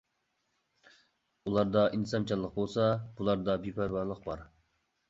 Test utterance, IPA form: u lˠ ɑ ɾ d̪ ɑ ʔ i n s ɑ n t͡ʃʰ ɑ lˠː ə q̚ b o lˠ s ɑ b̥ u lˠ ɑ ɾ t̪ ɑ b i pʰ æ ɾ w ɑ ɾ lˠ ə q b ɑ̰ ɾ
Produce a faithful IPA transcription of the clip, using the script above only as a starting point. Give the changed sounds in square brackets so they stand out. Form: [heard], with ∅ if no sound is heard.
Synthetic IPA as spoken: u lˠ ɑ ɾ d̪ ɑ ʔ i n s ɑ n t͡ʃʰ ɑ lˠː ə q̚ b o lˠ s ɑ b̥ u lˠ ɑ ɾ [d̪] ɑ b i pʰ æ ɾ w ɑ ɾ lˠ ə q b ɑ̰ ɾ